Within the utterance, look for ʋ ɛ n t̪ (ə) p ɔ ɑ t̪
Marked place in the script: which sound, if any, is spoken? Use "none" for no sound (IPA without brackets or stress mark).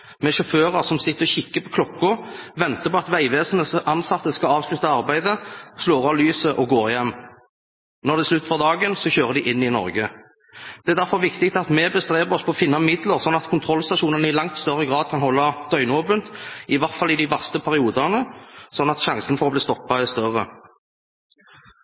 ə